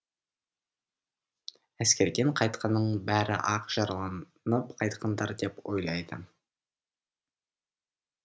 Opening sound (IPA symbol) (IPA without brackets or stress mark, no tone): æ